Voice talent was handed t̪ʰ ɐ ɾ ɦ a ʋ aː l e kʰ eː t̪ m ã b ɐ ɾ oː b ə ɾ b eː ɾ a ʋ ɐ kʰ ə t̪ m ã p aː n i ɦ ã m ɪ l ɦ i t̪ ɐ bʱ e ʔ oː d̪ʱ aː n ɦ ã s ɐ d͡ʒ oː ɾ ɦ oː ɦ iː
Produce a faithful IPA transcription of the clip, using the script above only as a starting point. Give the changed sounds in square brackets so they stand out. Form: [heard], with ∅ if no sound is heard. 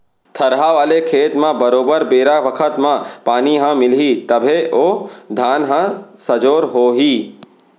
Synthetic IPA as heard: t̪ʰ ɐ ɾ ɦ a ʋ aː l e kʰ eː t̪ m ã b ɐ ɾ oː b ə ɾ b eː ɾ a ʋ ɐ kʰ ə t̪ m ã p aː n i ɦ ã m ɪ l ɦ i t̪ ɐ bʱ e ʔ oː d̪ʱ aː n ɦ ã s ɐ d͡ʒ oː ɾ ɦ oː ɦ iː